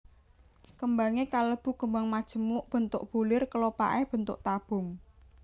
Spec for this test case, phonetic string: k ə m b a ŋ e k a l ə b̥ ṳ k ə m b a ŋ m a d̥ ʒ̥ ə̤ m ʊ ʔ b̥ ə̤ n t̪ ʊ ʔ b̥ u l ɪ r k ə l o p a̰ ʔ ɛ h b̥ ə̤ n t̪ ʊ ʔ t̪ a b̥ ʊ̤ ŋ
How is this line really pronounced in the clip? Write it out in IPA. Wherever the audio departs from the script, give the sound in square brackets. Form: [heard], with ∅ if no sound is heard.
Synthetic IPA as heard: k ə m b a ŋ e k a l ə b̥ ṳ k ə m b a ŋ m a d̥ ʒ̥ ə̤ m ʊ ʔ b̥ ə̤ n t̪ ʊ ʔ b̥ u l ɪ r k ə l o p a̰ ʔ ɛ h b̥ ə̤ n t̪ ʊ ʔ t̪ a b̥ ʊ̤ ŋ